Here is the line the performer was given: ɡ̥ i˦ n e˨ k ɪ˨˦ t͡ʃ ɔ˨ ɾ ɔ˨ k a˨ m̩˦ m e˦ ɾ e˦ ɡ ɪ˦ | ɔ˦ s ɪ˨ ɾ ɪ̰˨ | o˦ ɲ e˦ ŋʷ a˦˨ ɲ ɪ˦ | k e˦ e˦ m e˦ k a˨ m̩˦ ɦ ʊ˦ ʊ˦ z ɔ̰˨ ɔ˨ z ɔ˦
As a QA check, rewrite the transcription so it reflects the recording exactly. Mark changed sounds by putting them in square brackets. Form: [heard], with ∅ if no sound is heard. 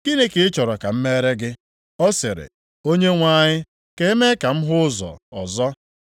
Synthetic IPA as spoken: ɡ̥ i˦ n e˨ k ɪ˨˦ t͡ʃ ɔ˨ ɾ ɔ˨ k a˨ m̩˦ m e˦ ɾ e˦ ɡ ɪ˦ | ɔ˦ s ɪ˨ ɾ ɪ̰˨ | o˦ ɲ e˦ ŋʷ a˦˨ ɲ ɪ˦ | k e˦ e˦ m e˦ k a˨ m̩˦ ɦ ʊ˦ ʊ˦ z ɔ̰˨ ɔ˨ z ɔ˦